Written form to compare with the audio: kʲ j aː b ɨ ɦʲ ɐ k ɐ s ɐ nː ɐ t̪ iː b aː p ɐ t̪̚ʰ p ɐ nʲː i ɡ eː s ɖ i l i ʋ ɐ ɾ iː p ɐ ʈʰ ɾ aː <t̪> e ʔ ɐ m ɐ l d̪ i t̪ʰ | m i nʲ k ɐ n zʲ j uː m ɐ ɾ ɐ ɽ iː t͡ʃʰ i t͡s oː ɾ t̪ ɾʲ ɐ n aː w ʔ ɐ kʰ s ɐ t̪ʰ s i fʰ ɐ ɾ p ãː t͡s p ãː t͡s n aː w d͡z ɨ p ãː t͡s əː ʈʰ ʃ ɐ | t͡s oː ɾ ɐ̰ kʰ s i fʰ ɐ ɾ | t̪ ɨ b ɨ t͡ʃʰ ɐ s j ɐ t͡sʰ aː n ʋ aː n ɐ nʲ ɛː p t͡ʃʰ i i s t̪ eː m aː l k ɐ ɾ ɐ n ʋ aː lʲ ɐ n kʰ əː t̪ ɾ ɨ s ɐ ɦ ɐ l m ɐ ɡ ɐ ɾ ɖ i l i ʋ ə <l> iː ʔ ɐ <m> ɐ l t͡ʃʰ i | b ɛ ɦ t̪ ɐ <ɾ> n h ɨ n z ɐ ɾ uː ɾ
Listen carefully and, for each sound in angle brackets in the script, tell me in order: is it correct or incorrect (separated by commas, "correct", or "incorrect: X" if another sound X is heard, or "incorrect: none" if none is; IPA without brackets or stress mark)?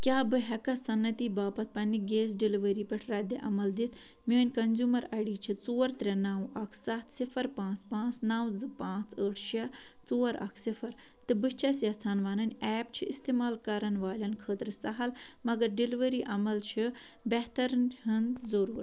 incorrect: d̪, incorrect: ɾ, correct, correct